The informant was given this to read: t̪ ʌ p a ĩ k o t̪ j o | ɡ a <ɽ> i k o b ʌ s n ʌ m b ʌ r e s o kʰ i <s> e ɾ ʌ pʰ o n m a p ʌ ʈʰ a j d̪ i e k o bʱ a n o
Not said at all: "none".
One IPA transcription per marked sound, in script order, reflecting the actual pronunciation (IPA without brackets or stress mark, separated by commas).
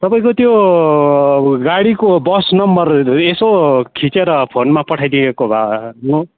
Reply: ɽ, t͡s